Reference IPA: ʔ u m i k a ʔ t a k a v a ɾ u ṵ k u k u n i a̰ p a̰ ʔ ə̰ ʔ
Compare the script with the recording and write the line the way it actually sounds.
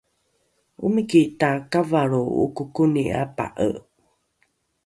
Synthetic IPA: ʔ u m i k i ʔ t a k a v a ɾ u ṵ k u k u n i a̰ p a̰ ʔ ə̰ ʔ